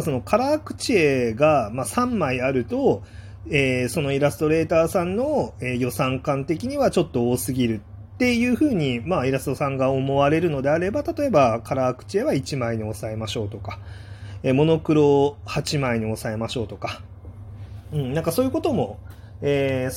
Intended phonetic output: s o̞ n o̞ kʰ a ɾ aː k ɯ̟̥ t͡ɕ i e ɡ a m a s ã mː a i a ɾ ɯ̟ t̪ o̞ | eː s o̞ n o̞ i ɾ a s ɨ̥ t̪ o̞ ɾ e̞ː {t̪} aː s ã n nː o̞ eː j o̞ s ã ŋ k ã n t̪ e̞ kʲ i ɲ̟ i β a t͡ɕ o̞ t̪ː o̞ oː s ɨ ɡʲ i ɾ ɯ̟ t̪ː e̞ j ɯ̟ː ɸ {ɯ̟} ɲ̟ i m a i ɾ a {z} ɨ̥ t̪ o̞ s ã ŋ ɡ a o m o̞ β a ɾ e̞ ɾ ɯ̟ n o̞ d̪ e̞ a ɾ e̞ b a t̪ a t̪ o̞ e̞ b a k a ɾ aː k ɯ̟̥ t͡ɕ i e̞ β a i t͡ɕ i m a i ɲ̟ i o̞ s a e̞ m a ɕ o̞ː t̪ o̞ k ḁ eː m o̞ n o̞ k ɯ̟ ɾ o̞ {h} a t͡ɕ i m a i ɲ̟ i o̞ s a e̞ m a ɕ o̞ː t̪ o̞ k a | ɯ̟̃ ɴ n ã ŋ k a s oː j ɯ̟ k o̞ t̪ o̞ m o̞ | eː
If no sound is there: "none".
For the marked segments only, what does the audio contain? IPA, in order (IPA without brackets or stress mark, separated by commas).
t̪, ɯ̟ː, s, h